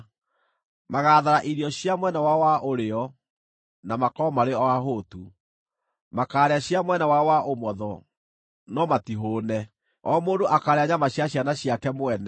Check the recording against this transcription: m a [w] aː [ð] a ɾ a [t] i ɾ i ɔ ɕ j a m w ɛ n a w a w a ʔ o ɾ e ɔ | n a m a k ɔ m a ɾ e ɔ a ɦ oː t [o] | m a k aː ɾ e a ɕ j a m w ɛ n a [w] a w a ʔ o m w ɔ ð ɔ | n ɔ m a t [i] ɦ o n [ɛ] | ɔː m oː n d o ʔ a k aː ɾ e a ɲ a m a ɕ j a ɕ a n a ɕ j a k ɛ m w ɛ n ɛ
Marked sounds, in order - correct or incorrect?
incorrect, correct, incorrect, incorrect, correct, correct, correct

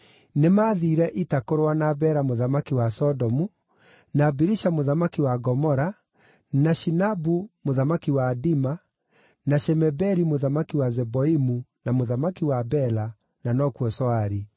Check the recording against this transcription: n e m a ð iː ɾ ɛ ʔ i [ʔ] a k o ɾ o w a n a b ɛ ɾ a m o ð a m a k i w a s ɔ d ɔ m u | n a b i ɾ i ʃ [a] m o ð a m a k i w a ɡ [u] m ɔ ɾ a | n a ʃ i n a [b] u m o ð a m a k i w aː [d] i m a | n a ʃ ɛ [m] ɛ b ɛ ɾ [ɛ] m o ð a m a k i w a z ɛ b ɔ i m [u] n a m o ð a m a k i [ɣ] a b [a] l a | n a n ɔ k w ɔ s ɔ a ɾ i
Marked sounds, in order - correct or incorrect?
incorrect, correct, incorrect, correct, correct, correct, incorrect, correct, incorrect, incorrect

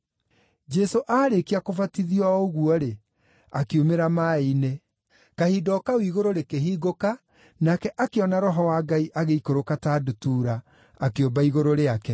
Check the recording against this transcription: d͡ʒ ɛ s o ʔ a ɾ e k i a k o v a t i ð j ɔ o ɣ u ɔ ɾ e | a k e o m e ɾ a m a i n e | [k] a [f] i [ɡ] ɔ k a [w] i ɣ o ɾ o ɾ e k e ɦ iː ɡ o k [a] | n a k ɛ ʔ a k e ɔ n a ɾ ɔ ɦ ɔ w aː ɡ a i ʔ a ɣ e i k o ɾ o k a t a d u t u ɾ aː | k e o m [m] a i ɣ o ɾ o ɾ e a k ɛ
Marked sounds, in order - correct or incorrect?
correct, incorrect, incorrect, correct, correct, incorrect

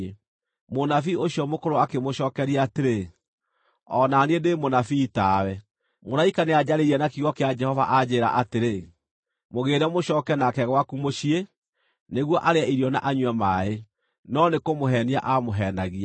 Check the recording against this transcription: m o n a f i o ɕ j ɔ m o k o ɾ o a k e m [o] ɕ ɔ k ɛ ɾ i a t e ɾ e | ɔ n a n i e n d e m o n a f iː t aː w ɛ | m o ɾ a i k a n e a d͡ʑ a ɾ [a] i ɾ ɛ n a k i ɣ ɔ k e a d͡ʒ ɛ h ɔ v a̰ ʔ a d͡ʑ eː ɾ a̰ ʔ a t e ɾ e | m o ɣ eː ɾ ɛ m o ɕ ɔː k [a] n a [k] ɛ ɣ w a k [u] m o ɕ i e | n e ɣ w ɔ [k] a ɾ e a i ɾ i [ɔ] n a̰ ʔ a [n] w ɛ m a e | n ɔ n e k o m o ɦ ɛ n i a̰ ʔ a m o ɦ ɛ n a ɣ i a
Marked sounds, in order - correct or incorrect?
correct, incorrect, incorrect, correct, correct, incorrect, correct, incorrect

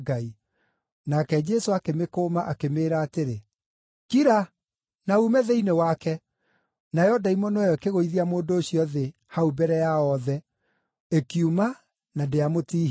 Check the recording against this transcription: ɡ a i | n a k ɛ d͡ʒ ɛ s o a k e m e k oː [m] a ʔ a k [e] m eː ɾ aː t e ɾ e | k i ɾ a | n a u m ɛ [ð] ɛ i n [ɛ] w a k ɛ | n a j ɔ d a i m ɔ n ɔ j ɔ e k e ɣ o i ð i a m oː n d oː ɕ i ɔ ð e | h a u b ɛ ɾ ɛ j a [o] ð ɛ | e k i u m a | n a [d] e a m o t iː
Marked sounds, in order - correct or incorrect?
correct, correct, correct, incorrect, incorrect, correct

